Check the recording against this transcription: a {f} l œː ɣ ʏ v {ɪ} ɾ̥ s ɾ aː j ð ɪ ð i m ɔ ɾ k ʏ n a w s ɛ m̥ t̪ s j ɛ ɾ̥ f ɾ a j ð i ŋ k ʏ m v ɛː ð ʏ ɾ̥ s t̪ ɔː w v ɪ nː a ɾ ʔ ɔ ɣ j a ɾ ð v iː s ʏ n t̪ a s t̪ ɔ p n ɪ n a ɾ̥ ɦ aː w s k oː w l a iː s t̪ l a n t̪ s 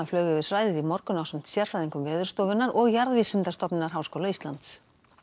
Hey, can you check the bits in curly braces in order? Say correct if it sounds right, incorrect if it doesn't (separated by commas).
correct, correct